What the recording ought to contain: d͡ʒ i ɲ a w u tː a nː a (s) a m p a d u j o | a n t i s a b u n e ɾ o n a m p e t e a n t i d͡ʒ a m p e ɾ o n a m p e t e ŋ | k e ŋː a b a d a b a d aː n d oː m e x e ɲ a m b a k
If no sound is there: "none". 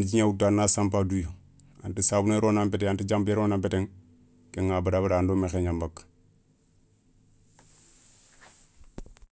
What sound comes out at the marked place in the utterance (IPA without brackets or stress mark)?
s